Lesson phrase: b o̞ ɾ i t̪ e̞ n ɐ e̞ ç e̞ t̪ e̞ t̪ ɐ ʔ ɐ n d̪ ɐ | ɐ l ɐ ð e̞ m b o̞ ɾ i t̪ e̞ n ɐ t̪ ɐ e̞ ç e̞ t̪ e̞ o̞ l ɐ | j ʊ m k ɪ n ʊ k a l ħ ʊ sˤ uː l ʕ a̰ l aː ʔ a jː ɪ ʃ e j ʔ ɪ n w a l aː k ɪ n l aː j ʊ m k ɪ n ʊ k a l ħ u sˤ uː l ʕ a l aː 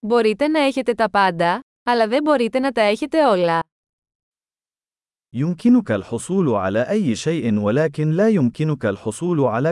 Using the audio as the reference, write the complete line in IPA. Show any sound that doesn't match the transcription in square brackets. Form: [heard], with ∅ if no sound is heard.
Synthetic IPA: b o̞ ɾ i t̪ e̞ n ɐ e̞ ç e̞ t̪ e̞ t̪ ɐ [p] ɐ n d̪ ɐ | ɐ l ɐ ð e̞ m b o̞ ɾ i t̪ e̞ n ɐ t̪ ɐ e̞ ç e̞ t̪ e̞ o̞ l ɐ | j ʊ m k ɪ n ʊ k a l ħ ʊ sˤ uː l ʕ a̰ l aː ʔ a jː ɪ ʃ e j ʔ ɪ n w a l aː k ɪ n l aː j ʊ m k ɪ n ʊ k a l ħ [ʊ] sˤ uː l ʕ a l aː